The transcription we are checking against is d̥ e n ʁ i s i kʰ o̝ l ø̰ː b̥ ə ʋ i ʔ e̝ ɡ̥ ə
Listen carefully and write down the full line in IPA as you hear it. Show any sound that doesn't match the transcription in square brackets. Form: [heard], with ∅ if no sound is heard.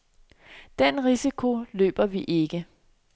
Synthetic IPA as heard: d̥ e n ʁ i s i kʰ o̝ l ø̰ː b̥ [ɐ] ʋ i ʔ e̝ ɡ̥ ə